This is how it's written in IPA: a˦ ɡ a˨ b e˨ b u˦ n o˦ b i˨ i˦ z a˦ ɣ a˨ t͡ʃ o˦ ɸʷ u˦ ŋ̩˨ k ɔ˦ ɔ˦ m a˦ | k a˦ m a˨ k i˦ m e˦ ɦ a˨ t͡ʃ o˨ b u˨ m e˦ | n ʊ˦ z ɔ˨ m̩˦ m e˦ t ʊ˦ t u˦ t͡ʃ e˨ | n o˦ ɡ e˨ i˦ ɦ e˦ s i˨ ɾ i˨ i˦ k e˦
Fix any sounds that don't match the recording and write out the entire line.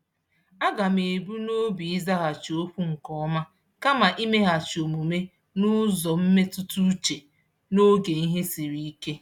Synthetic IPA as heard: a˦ ɡ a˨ m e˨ b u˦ n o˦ b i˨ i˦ z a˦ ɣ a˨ t͡ʃ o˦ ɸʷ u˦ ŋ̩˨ k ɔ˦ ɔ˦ m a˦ | k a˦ m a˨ ʔ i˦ m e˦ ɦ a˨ t͡ʃ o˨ m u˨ m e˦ | n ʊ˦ z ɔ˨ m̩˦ m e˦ t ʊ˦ t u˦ t͡ʃ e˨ | n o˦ ɡ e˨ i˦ ɦ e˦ s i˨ ɾ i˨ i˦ k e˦